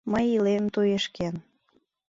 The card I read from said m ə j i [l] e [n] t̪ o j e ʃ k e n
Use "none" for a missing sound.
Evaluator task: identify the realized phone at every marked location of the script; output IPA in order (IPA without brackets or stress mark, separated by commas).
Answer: l, m